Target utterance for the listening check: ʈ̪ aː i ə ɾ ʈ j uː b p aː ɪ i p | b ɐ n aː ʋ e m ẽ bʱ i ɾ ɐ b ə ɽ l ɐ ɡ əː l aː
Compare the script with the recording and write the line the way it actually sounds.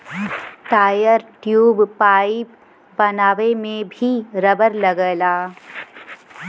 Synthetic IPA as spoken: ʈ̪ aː j ə ɾ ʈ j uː b p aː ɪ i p | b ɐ n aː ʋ e m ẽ bʱ i ɾ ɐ b ə ɾ l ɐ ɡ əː l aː